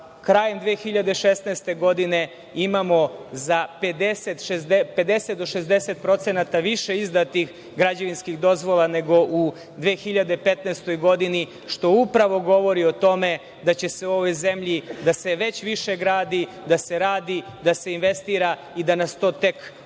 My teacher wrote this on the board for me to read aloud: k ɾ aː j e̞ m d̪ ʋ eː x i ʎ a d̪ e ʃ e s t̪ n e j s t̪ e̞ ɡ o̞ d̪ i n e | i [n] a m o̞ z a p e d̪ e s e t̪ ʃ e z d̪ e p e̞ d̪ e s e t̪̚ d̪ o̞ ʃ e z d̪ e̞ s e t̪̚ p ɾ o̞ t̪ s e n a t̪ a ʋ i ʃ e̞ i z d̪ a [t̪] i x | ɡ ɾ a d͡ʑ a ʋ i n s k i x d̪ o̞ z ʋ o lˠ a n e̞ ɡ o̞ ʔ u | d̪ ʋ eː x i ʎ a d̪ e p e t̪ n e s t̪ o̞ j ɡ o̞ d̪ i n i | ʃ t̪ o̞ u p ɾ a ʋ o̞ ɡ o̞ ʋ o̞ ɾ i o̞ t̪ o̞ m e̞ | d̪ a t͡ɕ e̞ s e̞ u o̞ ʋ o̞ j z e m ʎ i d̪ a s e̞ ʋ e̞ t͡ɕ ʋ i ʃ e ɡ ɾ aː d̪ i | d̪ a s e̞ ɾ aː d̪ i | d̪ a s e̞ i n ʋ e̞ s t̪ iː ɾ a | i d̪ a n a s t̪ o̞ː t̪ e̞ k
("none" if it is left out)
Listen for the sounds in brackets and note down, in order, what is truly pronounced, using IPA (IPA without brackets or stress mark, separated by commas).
m, t̪